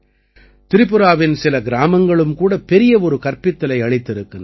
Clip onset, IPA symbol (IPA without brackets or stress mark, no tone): t̪